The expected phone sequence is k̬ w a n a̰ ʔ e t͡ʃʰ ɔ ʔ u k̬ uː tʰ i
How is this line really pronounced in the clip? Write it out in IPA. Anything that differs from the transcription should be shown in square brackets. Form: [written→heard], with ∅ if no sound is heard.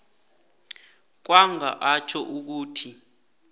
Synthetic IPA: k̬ w a [n→ŋ] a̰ ʔ [e→a] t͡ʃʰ ɔ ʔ u k̬ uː tʰ i